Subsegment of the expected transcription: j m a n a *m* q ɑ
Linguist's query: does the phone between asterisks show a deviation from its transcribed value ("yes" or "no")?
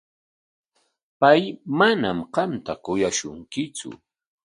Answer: no